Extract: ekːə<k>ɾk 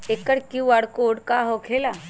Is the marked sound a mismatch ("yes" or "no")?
yes